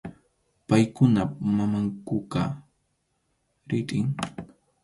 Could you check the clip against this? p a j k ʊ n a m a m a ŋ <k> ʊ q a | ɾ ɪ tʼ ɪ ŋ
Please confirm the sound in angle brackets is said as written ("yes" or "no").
yes